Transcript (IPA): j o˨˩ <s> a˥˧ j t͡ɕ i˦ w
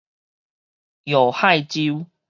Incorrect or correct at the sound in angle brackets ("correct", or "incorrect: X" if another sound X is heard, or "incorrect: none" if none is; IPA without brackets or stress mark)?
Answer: incorrect: h